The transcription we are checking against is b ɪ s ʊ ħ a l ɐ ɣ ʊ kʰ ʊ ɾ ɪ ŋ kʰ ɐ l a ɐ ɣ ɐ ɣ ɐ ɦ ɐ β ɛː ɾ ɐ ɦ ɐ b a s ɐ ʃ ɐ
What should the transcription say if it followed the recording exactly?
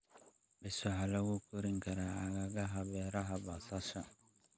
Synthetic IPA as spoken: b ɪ s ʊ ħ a l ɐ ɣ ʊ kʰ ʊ ɾ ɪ ŋ kʰ ɐ ɾ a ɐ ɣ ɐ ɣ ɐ ɦ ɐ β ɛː ɾ ɐ ɦ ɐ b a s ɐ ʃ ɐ